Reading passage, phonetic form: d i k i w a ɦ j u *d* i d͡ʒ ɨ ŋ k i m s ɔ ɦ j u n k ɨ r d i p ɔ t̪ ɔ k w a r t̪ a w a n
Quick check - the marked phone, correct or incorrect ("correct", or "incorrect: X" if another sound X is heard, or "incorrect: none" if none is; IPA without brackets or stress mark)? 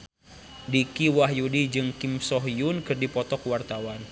correct